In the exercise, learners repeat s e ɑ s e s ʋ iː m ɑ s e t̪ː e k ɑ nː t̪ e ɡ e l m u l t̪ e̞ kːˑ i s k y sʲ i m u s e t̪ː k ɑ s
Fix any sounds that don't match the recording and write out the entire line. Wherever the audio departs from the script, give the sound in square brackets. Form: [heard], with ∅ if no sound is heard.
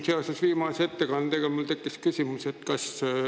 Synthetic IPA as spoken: s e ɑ s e s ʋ iː m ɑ s e t̪ː e k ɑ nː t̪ e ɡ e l m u l t̪ e̞ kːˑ i s k y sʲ i m u s e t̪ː k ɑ s